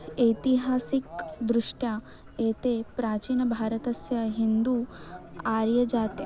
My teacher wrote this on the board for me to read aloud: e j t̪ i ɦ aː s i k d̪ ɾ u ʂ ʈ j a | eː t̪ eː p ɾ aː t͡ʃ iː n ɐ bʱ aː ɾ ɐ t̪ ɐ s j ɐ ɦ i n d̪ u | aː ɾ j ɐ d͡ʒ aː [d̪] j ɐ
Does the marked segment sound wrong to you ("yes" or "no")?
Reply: yes